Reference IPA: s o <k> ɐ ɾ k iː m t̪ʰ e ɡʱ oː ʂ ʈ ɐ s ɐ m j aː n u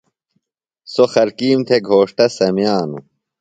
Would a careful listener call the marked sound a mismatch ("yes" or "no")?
yes